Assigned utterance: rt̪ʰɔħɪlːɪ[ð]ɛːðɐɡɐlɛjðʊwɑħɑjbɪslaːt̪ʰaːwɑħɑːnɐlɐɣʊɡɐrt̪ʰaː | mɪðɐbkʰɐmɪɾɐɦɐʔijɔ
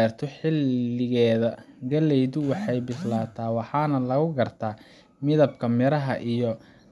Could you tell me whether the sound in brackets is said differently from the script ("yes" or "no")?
yes